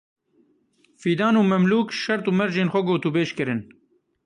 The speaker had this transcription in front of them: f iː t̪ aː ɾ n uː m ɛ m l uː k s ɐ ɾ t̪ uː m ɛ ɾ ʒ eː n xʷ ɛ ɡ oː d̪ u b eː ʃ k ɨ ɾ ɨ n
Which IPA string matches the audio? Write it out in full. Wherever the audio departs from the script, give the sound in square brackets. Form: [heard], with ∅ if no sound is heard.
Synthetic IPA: f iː [d̪] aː [∅] n uː m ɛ m l uː k [ʃ] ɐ ɾ t̪ uː m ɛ ɾ ʒ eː n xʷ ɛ ɡ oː [t̪] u b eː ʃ k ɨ ɾ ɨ n